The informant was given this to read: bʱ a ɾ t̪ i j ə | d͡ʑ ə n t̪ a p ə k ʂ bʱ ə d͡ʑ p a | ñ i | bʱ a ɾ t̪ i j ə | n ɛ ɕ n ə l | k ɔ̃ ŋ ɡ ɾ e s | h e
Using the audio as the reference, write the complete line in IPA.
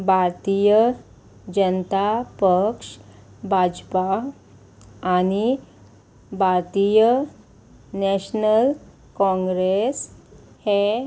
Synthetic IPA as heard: bʱ a ɾ t̪ i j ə | d͡ʑ ə n t̪ a p ə k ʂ bʱ a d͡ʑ p a | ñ i | bʱ a ɾ t̪ i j ə | n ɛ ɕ n ə l | k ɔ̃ ŋ ɡ ɾ e s | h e